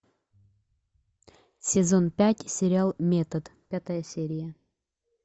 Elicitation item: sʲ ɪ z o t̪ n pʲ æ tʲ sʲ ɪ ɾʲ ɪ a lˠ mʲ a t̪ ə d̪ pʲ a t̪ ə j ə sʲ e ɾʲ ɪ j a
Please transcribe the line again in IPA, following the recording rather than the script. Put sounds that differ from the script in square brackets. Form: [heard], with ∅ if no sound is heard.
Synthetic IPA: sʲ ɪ z o [∅] n pʲ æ tʲ sʲ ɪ ɾʲ ɪ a lˠ mʲ [e] t̪ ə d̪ pʲ a t̪ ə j ə sʲ e ɾʲ ɪ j [ə]